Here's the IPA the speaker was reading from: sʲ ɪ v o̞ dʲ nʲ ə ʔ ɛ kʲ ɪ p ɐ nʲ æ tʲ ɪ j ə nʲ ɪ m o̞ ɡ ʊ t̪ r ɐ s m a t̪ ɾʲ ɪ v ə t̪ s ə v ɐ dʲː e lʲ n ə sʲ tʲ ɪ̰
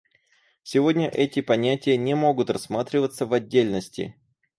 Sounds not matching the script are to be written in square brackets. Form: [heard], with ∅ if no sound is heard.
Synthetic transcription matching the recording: sʲ ɪ v o̞ dʲ nʲ ə ʔ ɛ [tʲ] ɪ p ɐ nʲ æ tʲ ɪ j ə nʲ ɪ m o̞ ɡ ʊ t̪ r ɐ s m a t̪ ɾʲ ɪ v ə t̪ s ə v ɐ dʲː e lʲ n ə sʲ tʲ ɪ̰

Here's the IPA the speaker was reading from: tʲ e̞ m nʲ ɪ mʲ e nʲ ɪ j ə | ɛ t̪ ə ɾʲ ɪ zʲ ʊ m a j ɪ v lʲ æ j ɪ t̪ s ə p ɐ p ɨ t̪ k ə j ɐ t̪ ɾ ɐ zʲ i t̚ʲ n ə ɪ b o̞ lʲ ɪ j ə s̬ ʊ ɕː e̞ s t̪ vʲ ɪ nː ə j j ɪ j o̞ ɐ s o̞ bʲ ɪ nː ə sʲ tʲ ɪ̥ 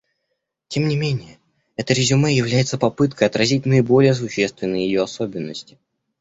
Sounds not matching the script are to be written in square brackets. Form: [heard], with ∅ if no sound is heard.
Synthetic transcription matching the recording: tʲ e̞ m nʲ ɪ mʲ e nʲ ɪ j ə | ɛ t̪ ə ɾʲ ɪ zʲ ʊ m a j ɪ v lʲ æ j ɪ t̪ s ə p ɐ p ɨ t̪ k ə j ɐ t̪ ɾ ɐ zʲ i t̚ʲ n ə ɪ b o̞ lʲ ɪ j ə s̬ ʊ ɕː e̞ s t̪ vʲ ɪ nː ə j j ɪ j o̞ ɐ s o̞ bʲ ɪ nː ə sʲ tʲ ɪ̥

